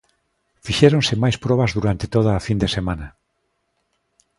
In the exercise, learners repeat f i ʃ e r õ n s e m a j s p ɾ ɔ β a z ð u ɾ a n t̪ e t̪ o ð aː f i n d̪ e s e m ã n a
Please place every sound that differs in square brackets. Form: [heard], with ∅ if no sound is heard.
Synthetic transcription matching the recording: f i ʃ e [ɾ] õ n s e m a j s p ɾ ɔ β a z ð u ɾ a n t̪ e t̪ o ð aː f i n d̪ e s e m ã n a